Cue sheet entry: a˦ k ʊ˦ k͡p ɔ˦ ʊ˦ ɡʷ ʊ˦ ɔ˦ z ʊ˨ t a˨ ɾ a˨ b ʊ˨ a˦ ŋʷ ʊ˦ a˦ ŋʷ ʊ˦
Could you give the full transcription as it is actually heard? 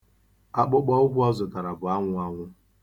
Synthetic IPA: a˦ k͡p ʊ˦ k͡p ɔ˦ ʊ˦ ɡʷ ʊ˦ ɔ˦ z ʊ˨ t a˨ ɾ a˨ b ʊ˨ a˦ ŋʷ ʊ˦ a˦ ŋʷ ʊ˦